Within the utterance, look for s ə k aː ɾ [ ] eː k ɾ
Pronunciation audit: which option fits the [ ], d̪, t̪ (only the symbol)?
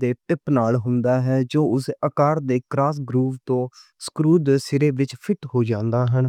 d̪